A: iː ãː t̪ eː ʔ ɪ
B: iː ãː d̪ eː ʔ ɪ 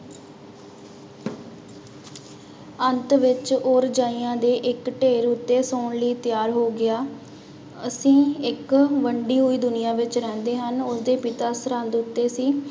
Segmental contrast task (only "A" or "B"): B